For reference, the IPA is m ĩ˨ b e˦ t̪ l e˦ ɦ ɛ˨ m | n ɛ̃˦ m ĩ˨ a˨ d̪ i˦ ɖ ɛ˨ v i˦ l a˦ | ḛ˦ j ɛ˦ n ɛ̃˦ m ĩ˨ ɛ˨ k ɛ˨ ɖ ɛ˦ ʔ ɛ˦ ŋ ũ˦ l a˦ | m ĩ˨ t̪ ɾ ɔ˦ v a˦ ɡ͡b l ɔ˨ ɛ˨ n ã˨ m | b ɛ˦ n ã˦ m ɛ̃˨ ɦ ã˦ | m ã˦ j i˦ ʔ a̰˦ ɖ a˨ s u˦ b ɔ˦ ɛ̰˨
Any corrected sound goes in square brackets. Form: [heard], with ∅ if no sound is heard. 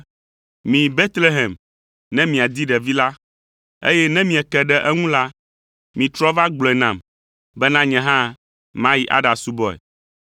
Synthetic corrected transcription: m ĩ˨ b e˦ t̪ l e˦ ɦ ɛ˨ m | n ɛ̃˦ m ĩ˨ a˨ d̪ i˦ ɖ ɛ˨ v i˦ l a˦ | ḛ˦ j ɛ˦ n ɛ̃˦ m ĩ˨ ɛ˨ k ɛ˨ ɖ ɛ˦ ʔ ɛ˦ ŋ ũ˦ l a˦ | m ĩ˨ t̪ ɾ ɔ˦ v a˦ ɡ͡b l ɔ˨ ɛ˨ n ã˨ m | b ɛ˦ n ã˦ [ɲ] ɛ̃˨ ɦ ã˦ | m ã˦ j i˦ ʔ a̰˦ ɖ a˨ s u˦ b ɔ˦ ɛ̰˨